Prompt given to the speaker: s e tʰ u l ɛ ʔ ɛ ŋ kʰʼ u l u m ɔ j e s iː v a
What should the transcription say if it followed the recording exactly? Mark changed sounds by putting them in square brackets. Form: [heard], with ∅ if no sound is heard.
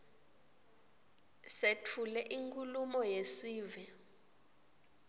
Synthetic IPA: s e tʰ u l ɛ ʔ [i] ŋ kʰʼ u l u m ɔ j e s iː v [ɛ]